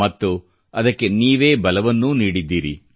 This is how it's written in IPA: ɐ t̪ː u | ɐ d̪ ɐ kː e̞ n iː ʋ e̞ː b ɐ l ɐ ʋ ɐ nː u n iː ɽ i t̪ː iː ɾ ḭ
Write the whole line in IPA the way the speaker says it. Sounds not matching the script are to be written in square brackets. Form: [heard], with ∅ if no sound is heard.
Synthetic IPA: ɐ t̪ː u | ɐ d̪ ɐ kː e̞ n iː ʋ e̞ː b ɐ l ɐ ʋ ɐ nː u n iː ɽ i [d̪ː] iː ɾ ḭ